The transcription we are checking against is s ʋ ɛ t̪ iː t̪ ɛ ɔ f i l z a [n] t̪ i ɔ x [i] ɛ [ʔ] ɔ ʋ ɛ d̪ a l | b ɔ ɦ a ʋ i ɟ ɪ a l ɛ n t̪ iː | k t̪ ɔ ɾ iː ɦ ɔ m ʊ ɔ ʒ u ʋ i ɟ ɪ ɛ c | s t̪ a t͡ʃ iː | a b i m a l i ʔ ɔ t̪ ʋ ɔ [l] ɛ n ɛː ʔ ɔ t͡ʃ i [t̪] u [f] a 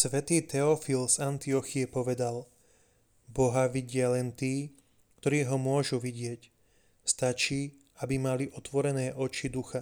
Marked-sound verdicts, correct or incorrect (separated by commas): correct, correct, incorrect, incorrect, incorrect, incorrect